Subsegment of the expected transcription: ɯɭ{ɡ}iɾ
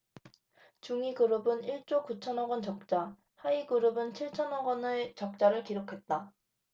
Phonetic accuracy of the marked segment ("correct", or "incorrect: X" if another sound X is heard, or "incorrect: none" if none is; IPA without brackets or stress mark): incorrect: k